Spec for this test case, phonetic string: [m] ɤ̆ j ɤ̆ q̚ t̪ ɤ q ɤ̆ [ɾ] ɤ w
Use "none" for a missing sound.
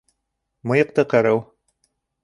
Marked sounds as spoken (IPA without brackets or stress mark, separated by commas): m, ɾ